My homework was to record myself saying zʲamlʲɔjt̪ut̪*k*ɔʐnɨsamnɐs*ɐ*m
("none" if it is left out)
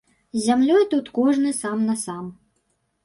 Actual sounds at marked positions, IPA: k, a

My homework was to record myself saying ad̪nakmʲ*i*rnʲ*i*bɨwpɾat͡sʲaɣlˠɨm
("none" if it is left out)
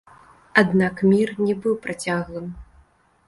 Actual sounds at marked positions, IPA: i, ɛ

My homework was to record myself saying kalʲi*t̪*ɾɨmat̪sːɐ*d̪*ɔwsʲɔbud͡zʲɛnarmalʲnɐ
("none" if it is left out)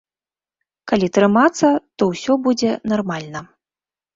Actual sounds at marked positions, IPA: t̪, t̪

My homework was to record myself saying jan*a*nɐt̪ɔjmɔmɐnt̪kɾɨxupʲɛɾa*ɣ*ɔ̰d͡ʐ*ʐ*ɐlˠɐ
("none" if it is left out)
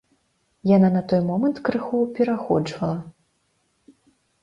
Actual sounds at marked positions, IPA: a, x, v

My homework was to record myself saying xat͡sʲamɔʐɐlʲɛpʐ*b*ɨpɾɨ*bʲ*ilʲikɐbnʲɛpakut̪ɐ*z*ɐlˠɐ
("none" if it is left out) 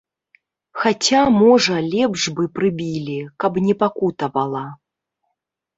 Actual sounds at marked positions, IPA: b, bʲ, v

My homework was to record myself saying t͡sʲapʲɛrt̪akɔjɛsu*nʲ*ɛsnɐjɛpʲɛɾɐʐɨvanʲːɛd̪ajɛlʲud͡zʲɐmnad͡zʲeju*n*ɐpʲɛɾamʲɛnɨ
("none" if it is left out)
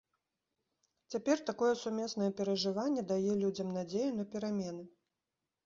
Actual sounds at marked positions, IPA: mʲ, n

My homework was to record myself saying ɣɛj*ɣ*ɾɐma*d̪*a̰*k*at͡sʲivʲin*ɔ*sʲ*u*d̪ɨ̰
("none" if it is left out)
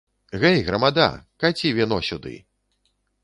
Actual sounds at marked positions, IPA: ɣ, d̪, k, ɔ, u

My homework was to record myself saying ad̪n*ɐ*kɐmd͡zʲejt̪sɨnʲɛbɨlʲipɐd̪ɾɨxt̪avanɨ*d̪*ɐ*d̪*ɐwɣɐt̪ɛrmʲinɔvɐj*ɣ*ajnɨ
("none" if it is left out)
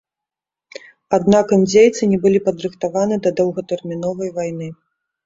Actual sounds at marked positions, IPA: a, d̪, d̪, v

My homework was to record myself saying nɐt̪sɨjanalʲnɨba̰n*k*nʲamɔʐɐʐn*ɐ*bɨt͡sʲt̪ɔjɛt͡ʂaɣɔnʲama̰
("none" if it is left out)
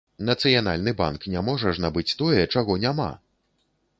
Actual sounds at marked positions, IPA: k, a

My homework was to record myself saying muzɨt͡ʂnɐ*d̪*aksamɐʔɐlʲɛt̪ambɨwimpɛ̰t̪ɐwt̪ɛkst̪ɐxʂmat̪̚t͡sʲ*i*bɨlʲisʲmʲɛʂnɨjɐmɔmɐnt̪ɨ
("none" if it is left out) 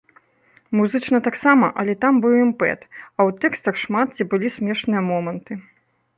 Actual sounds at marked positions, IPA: t̪, i

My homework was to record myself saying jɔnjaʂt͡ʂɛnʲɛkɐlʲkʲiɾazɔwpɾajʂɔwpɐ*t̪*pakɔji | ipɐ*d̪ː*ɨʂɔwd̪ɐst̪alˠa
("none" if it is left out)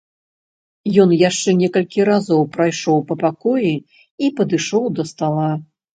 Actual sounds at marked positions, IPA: none, d̪

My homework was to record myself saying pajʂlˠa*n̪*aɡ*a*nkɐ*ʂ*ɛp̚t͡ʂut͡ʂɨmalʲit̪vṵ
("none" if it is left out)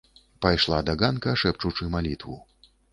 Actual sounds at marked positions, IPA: d̪, a, ʂ

